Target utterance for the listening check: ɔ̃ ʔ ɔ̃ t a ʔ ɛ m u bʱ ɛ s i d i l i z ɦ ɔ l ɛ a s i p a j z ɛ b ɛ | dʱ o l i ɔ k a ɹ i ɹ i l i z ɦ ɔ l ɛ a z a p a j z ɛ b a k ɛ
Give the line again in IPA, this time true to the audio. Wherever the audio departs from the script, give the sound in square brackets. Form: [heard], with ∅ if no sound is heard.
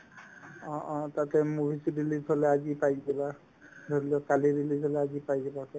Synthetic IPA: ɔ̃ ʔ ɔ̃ t a [t] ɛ m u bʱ [i] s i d i l i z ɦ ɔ l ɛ a [z] i p a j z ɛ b [a] | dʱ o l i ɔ k a [l] i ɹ i l i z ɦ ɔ l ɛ a z [i] p a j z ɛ b a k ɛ